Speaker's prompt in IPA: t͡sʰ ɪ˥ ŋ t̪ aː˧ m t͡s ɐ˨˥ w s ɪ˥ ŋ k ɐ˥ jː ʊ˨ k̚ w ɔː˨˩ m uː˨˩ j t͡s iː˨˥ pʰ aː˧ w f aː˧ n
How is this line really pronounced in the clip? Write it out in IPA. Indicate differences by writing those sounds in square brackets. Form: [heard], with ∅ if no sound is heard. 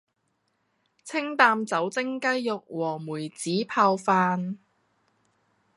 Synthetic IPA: t͡sʰ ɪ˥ ŋ t̪ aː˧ m t͡s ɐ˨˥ w [t͡s] ɪ˥ ŋ k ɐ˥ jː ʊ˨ k̚ w ɔː˨˩ m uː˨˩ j t͡s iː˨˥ pʰ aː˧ w f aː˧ n